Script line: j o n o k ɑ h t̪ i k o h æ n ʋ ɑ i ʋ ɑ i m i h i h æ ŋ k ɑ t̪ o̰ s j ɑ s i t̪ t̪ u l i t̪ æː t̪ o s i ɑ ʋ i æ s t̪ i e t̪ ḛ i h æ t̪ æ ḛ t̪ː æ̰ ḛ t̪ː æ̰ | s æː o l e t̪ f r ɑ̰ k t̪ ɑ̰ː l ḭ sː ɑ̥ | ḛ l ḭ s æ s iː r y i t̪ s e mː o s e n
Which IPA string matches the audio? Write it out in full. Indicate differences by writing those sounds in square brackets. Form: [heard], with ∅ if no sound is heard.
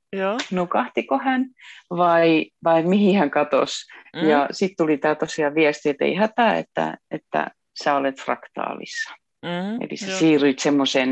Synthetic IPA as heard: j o n o k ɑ h t̪ i k o h æ n ʋ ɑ i ʋ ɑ i m i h i h æ ŋ k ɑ t̪ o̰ s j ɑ s i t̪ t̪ u l i t̪ æː t̪ o s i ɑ ʋ i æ s t̪ i e t̪ ḛ i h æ t̪ æ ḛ t̪ː æ̰ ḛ t̪ː æ̰ | s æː o l e t̪ f r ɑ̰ k t̪ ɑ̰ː l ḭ sː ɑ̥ | ḛ l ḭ s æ s iː r y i t̪ s e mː o s e n